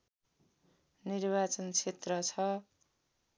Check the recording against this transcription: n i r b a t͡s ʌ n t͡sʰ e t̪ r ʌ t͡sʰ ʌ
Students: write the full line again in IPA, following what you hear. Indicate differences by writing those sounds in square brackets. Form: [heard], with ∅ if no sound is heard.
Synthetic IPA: n i r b a t͡s ʌ n t͡sʰ e t̪ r ʌ t͡sʰ ʌ